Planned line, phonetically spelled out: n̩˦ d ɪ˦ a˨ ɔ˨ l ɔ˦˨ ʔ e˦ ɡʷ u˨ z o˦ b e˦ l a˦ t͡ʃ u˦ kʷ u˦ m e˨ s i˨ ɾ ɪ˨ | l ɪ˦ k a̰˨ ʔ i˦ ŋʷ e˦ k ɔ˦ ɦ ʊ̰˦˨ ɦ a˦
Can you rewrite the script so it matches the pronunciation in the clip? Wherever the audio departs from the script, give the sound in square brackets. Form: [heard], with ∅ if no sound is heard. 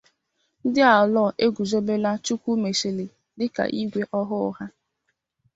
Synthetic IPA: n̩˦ d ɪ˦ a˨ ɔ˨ l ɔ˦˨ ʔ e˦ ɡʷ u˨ z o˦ b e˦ l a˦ t͡ʃ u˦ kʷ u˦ m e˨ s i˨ [l] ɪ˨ | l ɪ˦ k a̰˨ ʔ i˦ [ɡʷ] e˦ [ʔ] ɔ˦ ɦ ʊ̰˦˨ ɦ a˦